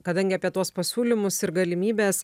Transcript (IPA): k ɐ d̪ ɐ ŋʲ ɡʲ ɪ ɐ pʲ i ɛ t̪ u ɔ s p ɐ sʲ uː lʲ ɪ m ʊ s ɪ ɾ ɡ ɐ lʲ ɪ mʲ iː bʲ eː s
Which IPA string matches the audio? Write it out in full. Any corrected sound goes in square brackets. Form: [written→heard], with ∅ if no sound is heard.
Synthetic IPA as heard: k ɐ d̪ ɐ ŋʲ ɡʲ ɪ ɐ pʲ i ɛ t̪ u ɔ s p ɐ sʲ uː lʲ ɪ m ʊ s ɪ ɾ ɡ ɐ lʲ ɪ mʲ iː bʲ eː s